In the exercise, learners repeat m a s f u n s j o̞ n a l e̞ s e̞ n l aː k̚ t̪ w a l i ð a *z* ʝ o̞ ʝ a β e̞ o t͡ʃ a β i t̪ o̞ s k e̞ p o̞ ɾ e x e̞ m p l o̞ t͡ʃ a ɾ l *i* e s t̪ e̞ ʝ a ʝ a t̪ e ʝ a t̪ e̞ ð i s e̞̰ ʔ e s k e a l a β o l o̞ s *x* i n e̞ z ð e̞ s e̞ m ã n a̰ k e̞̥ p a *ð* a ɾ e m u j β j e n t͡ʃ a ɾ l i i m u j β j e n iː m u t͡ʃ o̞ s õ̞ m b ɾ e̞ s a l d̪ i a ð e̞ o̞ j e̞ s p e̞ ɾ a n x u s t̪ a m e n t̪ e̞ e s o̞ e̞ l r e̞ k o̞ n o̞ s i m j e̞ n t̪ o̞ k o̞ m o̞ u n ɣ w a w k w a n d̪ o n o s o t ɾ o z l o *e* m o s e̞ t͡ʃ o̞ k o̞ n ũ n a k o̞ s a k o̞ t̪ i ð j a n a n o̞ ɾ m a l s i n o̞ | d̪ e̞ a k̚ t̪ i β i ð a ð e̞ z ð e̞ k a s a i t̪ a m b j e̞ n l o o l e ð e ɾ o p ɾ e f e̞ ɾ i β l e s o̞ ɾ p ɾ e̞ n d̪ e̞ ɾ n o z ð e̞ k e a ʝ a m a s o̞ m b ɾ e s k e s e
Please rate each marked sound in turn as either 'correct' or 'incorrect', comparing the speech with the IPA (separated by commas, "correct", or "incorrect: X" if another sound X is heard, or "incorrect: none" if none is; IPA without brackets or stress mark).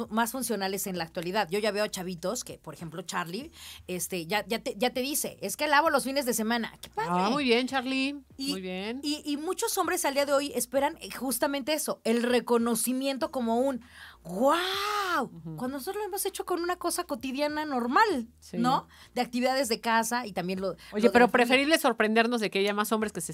incorrect: ð, correct, incorrect: f, correct, correct